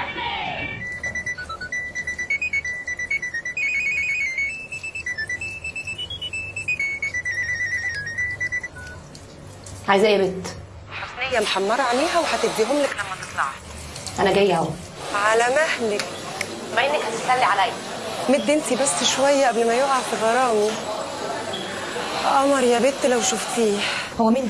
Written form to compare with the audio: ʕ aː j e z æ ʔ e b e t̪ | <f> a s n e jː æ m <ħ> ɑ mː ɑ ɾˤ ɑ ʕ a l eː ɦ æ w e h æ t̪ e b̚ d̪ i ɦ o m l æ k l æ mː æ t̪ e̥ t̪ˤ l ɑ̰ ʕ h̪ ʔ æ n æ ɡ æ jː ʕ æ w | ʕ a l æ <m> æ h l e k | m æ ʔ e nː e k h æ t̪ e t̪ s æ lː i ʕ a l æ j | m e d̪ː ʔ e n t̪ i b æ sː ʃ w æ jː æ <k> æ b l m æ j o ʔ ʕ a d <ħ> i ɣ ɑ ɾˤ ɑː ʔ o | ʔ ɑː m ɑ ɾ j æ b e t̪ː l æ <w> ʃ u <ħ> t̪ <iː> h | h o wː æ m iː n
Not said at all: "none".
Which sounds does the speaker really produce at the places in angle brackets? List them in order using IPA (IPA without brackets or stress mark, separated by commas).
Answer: ħ, ħ, m, ʔ, f, w, f, iː